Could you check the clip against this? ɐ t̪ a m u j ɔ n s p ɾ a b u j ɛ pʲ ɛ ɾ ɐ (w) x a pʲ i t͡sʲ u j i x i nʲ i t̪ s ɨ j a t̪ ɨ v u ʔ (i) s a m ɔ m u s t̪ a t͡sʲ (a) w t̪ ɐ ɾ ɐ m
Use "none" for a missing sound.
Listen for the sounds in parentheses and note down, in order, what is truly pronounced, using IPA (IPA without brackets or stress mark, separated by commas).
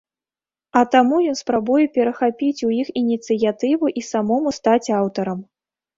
none, i, a